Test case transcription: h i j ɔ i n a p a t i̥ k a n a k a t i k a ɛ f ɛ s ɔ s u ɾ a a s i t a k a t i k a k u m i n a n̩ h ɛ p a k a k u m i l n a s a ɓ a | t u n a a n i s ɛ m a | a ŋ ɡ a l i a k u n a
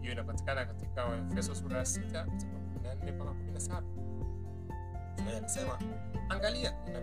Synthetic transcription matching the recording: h i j ɔ i n a p a t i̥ k a n a k a t i k a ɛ f ɛ s ɔ s u ɾ a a s i t a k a t i k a k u m i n a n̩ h ɛ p a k a k u m i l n a s a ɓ a | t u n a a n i s ɛ m a | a ŋ ɡ a l i a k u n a